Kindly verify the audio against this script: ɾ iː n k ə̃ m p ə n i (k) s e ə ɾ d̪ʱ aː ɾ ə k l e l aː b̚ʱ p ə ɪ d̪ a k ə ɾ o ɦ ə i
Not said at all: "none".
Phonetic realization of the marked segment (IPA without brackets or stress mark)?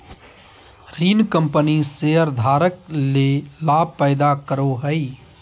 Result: none